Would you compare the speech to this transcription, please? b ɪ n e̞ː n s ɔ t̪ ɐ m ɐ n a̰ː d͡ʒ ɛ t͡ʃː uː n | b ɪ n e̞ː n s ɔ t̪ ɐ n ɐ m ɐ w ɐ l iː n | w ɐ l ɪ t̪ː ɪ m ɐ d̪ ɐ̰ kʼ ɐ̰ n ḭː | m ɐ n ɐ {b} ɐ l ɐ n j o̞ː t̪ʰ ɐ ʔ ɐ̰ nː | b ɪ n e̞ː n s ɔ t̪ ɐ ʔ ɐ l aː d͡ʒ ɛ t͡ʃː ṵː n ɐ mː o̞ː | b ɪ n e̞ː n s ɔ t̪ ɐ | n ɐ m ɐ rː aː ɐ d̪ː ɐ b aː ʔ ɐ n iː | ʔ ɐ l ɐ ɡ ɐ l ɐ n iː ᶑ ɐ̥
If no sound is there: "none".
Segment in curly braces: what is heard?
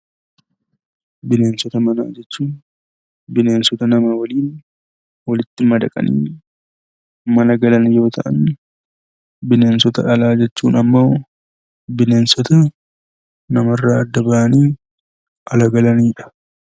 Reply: ɡ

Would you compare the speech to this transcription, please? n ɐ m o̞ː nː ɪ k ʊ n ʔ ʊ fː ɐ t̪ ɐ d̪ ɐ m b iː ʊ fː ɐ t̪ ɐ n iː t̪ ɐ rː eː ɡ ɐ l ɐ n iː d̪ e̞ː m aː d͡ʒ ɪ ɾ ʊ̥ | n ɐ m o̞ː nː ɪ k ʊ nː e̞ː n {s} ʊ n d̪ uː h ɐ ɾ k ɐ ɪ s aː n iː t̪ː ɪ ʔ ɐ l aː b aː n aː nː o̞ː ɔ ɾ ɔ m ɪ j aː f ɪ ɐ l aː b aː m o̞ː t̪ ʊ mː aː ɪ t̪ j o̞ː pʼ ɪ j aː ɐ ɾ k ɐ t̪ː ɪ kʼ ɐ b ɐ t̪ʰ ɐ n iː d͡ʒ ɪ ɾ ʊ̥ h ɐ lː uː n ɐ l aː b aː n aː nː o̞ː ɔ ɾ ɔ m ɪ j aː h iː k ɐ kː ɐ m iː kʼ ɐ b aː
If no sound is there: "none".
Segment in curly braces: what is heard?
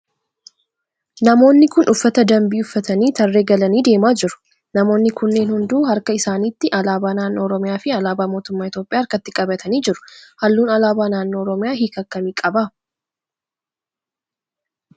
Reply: h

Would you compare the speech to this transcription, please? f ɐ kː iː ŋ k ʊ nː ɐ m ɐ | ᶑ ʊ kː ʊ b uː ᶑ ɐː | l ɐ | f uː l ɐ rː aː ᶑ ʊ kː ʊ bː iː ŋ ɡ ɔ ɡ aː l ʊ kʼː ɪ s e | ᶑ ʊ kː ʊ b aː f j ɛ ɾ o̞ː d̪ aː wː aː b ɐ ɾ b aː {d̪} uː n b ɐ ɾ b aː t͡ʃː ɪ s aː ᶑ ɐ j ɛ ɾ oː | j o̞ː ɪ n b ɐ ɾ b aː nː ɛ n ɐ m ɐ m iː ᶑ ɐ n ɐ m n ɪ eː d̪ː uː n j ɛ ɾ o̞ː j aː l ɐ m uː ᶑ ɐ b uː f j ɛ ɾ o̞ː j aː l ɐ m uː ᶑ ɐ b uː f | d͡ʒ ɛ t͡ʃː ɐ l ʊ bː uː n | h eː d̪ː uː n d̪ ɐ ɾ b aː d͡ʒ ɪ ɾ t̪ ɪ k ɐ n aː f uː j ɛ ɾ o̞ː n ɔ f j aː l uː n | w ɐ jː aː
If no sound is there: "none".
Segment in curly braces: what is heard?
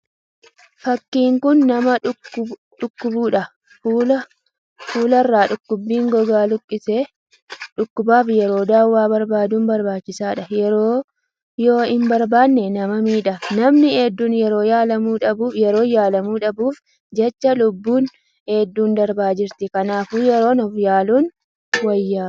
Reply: d̪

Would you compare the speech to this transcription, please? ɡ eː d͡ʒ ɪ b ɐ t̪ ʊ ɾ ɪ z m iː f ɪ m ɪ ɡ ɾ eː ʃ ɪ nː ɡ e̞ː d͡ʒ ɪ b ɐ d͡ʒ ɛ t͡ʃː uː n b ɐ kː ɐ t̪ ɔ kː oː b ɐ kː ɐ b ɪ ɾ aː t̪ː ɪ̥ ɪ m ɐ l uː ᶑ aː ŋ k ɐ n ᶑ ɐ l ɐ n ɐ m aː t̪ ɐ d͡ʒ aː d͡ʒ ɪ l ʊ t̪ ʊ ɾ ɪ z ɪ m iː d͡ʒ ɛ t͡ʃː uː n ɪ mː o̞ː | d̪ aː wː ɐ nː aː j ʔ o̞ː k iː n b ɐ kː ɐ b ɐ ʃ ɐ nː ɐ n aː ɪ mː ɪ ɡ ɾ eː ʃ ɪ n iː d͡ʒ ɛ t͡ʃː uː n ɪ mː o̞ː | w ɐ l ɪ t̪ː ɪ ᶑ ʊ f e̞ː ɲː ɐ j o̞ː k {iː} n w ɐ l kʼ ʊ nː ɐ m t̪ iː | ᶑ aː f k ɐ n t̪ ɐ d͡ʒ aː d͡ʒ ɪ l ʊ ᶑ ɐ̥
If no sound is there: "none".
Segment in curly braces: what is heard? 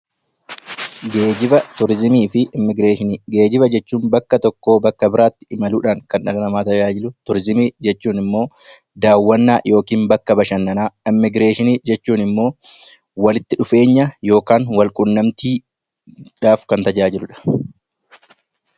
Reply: aː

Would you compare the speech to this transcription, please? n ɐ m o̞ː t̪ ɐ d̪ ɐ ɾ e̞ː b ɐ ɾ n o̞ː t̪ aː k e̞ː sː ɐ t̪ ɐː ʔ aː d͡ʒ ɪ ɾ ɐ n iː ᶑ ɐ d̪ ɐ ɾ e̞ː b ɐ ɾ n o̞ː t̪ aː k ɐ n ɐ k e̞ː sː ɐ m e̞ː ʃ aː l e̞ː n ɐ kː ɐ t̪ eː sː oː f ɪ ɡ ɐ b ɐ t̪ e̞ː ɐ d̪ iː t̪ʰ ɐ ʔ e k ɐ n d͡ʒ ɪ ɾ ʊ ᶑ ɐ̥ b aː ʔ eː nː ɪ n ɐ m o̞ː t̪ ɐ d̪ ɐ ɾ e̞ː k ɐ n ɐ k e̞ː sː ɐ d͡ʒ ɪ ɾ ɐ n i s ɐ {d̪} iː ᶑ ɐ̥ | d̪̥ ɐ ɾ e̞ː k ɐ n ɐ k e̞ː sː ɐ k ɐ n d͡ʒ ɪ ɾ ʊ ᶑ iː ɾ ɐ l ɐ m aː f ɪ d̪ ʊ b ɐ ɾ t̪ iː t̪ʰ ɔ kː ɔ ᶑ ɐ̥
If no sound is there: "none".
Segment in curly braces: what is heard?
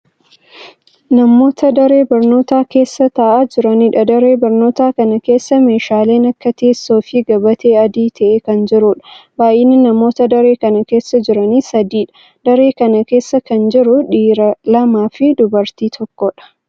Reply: d̪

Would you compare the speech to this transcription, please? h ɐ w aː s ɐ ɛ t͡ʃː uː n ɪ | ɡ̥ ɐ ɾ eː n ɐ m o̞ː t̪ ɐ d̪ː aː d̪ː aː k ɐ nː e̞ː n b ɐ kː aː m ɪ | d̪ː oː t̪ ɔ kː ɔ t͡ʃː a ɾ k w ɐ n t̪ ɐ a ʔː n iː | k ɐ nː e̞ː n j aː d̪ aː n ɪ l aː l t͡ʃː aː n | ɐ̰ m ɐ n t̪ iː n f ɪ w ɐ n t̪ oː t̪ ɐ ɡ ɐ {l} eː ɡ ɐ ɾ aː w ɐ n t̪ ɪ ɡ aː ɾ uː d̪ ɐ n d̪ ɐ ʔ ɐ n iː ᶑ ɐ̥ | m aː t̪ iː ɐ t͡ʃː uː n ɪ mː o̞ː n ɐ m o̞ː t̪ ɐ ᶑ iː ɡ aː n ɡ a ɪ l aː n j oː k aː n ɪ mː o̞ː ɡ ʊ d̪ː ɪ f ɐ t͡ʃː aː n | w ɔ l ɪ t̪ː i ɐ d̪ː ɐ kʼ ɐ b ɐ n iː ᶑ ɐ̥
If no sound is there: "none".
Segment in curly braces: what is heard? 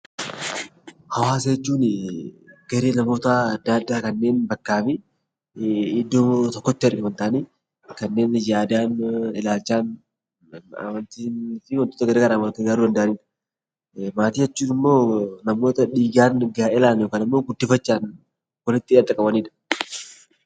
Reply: ɾ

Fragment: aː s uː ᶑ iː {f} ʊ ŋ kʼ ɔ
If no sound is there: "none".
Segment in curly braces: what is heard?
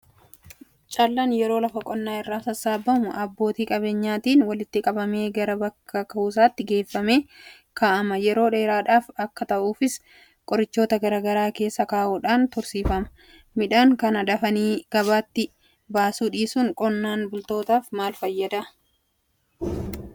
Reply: s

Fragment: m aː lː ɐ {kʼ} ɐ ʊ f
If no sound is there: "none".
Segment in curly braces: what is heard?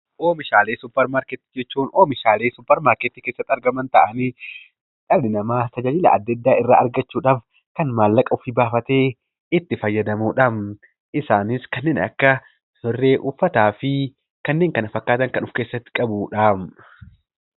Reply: kʼ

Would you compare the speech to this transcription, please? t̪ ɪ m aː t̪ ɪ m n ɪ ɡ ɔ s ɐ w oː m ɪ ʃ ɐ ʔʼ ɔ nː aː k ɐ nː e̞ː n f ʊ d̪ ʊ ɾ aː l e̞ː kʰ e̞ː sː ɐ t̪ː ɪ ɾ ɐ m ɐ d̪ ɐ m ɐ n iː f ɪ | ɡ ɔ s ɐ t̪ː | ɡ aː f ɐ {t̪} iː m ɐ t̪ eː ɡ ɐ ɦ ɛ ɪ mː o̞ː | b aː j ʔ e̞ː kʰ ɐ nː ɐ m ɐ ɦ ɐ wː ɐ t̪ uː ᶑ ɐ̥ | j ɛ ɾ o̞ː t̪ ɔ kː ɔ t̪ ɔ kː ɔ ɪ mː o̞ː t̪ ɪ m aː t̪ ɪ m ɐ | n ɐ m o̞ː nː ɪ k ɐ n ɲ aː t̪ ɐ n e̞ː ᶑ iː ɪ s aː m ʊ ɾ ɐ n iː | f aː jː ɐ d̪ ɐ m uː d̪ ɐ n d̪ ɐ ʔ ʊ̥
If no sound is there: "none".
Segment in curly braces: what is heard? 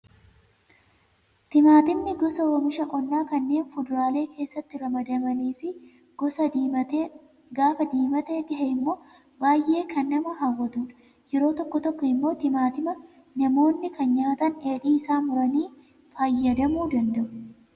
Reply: d̪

